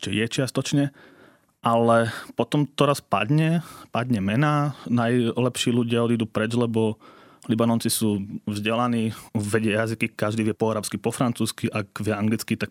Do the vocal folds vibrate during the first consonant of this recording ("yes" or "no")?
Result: no